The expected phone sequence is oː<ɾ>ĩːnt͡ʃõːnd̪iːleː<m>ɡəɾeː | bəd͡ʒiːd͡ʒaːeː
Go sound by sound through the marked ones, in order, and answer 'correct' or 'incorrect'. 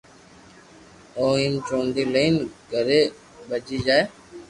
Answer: incorrect: none, incorrect: n

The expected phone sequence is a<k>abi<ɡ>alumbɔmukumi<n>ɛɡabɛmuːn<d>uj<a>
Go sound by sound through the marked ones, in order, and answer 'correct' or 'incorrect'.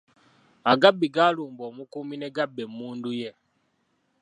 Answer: incorrect: ɡ, correct, correct, correct, incorrect: ɛ

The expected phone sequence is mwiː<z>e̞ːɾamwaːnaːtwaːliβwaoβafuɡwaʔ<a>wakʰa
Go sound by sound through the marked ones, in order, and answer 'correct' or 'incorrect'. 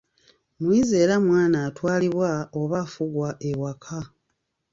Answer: correct, incorrect: e

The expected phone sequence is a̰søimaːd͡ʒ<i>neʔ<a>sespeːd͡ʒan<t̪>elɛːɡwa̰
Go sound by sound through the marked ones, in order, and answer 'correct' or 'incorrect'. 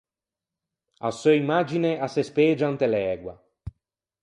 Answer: correct, correct, correct

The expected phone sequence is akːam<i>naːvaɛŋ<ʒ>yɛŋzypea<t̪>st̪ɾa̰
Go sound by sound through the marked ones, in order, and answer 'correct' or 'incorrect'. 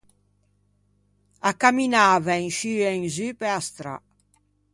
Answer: correct, incorrect: ʃ, incorrect: none

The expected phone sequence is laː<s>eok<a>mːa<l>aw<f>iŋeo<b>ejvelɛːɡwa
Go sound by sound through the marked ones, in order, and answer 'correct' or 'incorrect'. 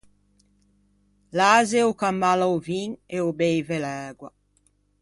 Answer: incorrect: z, correct, correct, incorrect: v, correct

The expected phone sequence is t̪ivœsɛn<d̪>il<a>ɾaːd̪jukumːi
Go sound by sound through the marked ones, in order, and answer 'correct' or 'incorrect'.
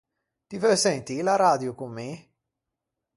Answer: incorrect: t̪, correct

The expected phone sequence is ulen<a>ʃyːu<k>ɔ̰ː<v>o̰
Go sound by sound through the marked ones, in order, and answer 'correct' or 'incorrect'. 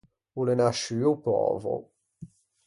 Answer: correct, incorrect: p, correct

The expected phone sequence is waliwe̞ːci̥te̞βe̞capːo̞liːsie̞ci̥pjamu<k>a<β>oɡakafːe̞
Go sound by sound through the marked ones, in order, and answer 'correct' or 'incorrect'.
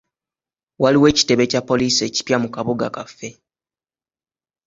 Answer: correct, correct

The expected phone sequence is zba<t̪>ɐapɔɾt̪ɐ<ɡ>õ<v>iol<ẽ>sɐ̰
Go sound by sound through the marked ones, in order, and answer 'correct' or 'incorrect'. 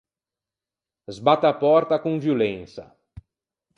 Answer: correct, incorrect: k, correct, correct

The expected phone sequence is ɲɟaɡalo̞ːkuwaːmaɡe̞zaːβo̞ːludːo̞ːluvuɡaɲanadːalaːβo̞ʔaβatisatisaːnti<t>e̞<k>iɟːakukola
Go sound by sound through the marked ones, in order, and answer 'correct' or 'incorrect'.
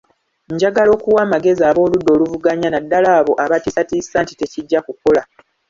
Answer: correct, incorrect: c

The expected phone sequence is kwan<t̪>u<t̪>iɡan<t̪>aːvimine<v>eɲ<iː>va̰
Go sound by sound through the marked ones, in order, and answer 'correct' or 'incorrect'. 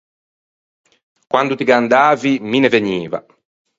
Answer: incorrect: d̪, correct, incorrect: d̪, correct, correct

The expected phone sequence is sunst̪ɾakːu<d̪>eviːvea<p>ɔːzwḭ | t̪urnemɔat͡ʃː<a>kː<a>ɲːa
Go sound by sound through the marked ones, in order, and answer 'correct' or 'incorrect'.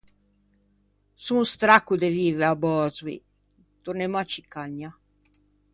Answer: correct, incorrect: b, incorrect: i, correct

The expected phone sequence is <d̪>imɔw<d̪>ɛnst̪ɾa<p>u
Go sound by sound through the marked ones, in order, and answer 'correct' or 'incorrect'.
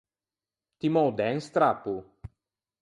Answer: incorrect: t̪, correct, correct

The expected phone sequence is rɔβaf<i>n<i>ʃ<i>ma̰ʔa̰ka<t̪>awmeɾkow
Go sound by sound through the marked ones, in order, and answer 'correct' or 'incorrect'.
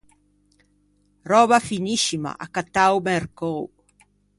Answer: correct, correct, correct, correct

